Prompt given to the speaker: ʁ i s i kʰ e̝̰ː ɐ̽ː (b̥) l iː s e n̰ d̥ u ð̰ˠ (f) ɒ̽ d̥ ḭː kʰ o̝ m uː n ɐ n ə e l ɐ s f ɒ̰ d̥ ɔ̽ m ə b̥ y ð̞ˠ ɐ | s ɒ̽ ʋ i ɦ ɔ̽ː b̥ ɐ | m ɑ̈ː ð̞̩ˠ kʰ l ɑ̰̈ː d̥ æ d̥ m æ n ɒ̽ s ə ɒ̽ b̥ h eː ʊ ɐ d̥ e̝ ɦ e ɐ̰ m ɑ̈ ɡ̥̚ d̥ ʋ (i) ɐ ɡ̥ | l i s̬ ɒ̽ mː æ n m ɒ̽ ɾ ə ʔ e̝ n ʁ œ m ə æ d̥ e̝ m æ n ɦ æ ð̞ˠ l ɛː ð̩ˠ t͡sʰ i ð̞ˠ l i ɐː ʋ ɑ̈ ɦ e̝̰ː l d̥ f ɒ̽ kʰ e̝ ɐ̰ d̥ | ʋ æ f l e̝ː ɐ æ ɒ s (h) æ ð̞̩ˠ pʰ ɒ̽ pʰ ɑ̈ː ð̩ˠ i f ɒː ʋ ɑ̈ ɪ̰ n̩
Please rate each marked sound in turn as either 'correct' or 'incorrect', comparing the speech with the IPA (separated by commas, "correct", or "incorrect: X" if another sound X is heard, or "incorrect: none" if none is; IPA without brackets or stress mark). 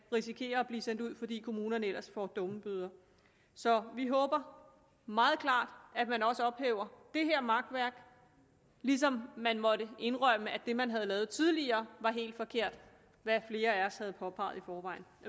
correct, correct, incorrect: æ, correct